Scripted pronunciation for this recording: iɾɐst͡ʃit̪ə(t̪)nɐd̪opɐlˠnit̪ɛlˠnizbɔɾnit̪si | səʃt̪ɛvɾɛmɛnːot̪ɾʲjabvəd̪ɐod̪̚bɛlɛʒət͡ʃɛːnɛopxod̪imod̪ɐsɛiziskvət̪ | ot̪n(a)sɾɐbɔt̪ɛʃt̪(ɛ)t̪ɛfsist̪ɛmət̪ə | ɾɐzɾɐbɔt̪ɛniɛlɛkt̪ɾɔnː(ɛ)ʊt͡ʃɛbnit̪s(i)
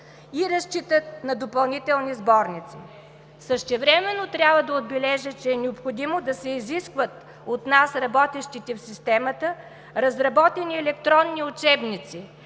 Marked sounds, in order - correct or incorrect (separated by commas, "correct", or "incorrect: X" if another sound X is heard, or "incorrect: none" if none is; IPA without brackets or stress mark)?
correct, correct, incorrect: i, incorrect: i, correct